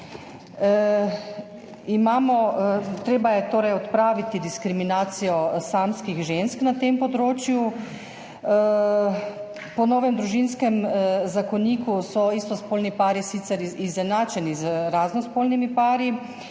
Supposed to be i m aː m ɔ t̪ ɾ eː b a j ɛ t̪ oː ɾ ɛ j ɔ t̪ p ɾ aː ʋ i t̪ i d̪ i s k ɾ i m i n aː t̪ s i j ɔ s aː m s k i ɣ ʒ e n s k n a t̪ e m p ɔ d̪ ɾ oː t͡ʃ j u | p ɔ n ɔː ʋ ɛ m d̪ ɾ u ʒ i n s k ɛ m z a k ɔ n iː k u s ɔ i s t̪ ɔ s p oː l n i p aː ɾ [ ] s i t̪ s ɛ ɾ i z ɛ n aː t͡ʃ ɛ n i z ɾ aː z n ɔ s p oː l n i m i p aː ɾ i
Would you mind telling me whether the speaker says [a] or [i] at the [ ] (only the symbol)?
i